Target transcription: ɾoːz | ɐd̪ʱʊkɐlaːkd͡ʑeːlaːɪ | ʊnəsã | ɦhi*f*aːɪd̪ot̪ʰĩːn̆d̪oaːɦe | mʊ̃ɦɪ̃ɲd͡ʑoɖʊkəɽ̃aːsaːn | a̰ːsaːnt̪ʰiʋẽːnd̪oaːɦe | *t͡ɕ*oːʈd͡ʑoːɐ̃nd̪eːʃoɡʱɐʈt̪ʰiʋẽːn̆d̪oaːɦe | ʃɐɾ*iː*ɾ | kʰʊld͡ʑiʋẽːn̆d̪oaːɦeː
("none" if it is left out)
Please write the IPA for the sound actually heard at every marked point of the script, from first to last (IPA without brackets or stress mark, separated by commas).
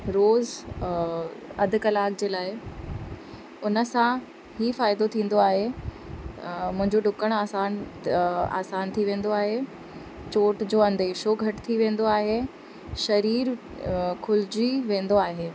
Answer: f, t͡ɕ, iː